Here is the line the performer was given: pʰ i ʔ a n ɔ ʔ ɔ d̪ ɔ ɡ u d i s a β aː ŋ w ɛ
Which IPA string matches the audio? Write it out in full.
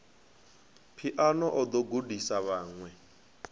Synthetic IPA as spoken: pʰ i ʔ a n ɔ ʔ ɔ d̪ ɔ ɡ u d i s a β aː ŋ w ɛ